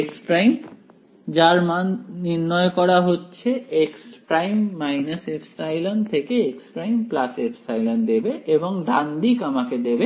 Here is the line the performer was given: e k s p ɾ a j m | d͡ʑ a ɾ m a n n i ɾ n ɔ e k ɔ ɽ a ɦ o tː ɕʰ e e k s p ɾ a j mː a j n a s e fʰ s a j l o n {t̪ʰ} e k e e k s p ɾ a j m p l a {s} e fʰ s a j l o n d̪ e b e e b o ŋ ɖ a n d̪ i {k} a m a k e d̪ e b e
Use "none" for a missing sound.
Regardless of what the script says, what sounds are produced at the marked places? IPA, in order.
t̪ʰ, s, k

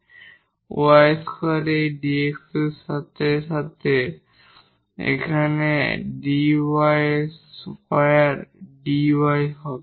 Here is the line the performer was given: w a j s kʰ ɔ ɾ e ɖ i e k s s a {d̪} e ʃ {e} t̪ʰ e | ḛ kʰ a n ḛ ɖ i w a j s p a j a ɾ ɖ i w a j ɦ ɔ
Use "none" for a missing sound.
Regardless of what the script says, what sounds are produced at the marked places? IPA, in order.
t̪, a

